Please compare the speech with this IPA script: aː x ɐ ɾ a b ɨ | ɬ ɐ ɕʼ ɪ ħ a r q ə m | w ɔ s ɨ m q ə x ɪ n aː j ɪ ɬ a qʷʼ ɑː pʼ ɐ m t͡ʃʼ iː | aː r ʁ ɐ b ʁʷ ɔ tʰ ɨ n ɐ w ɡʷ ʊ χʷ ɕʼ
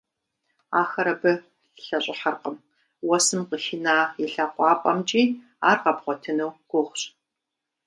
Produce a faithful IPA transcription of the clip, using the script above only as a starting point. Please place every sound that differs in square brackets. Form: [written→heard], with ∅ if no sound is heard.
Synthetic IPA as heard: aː x ɐ ɾ [a→ɐ] b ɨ | ɬ ɐ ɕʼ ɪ ħ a r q ə m | w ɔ s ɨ m q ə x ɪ n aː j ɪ ɬ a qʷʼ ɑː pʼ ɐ m t͡ʃʼ iː | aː r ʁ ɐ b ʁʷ ɔ tʰ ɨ n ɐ w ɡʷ ʊ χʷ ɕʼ